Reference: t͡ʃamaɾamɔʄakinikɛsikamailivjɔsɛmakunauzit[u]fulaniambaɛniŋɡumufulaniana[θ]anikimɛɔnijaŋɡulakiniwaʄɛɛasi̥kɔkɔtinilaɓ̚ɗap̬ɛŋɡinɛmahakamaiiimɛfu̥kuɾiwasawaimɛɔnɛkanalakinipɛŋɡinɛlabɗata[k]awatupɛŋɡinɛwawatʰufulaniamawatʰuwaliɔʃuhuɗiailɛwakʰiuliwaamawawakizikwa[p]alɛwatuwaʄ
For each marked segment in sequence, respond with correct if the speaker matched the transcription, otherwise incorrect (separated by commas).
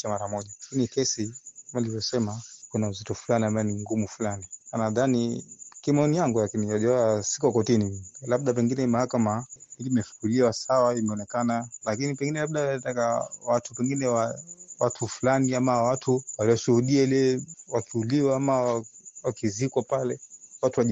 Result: incorrect, incorrect, correct, correct